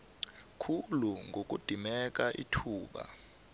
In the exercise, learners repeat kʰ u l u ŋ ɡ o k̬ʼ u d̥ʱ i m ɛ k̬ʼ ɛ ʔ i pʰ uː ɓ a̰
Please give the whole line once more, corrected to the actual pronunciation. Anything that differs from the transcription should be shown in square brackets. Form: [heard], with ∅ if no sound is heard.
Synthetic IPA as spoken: kʰ u l u ŋ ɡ o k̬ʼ u d̥ʱ i m ɛ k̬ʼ [a] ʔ i [tʰ] uː ɓ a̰